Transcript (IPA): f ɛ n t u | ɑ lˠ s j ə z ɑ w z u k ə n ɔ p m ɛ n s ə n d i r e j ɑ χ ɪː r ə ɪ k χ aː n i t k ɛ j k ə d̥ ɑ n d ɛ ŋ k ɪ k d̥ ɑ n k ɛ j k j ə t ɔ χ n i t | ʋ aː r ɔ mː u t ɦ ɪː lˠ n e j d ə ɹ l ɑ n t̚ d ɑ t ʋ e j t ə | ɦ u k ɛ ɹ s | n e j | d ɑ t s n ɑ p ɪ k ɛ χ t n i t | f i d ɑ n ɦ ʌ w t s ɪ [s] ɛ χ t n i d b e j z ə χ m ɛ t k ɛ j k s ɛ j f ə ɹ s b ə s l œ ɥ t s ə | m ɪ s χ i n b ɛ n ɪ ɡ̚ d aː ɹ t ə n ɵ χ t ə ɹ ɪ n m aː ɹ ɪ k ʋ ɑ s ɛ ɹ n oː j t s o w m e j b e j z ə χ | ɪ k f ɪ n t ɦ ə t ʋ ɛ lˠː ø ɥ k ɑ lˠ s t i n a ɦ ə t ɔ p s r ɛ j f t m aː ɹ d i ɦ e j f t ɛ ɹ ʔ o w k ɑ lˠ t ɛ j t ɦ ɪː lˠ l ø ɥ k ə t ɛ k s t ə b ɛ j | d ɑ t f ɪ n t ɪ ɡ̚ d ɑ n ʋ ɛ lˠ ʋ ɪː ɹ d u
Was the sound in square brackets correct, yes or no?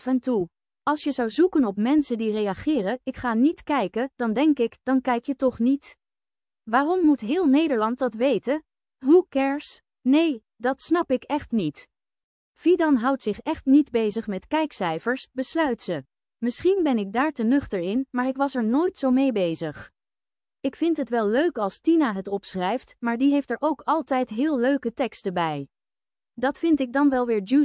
no